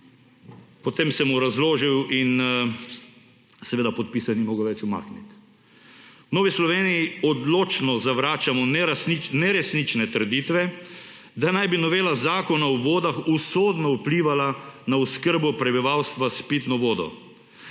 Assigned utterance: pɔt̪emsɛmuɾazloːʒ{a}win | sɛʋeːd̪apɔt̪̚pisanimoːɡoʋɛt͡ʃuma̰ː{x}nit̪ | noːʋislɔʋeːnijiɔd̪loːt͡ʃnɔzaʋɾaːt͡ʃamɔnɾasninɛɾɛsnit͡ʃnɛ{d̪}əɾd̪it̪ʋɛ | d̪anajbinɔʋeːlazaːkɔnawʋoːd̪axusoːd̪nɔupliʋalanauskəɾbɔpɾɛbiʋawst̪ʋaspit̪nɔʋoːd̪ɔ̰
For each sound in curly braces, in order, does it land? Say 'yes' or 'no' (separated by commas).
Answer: no, no, no